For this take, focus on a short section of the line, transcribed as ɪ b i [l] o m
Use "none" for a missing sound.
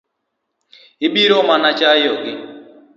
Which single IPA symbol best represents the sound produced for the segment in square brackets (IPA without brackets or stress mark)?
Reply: ɾ